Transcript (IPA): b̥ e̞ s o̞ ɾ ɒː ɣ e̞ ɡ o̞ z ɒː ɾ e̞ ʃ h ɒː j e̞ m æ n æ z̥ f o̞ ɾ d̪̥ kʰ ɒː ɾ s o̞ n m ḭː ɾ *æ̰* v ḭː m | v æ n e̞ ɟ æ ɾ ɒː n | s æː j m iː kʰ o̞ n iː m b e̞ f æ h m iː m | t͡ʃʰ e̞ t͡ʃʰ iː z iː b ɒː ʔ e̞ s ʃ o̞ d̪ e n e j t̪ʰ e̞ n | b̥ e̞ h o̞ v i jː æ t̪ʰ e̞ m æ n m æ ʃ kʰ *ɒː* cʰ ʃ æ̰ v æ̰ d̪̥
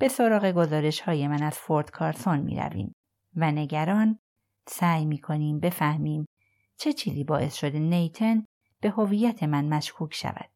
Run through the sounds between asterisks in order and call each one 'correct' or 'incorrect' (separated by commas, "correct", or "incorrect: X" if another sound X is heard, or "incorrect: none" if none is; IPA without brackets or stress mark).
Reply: correct, incorrect: uː